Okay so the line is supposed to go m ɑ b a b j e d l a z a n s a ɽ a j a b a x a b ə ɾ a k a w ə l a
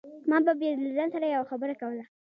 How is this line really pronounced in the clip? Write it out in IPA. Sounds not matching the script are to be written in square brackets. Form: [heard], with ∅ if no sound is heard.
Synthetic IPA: m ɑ b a b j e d l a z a n s a [ɾ] a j a [w] a x a b ə ɾ a k a w ə l a